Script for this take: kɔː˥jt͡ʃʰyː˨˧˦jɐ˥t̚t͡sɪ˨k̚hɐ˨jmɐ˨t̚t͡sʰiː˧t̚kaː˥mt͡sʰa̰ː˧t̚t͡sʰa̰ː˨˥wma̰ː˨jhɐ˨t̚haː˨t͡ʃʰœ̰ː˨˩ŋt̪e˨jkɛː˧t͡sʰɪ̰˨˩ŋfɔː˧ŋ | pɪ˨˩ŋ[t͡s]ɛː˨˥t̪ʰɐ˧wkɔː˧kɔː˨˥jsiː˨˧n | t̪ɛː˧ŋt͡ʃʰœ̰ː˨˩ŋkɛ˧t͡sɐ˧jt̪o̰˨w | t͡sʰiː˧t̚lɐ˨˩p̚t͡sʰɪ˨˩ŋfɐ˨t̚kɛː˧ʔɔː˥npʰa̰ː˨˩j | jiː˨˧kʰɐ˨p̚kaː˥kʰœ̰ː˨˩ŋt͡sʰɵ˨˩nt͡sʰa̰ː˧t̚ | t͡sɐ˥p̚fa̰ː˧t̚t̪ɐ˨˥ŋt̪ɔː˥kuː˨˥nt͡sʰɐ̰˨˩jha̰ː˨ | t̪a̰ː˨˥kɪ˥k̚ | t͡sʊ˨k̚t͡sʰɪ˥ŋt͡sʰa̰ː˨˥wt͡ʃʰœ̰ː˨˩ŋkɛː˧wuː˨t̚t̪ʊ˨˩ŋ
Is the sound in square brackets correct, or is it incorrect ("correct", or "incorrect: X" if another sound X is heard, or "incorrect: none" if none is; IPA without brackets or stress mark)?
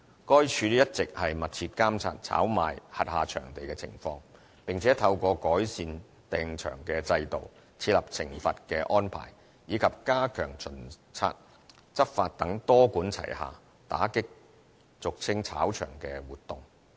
incorrect: t͡sʰ